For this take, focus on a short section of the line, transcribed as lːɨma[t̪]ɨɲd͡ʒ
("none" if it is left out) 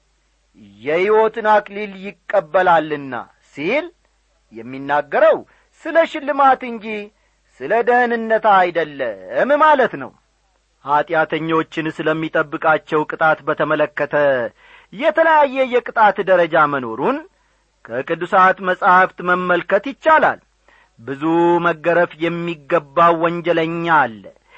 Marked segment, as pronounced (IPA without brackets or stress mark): t̪